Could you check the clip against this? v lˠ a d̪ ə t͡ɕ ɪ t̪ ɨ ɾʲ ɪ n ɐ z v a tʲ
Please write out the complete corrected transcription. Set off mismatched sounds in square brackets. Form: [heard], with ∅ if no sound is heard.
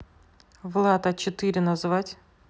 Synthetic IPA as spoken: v lˠ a [t̪] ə t͡ɕ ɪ t̪ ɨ ɾʲ ɪ n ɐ z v a tʲ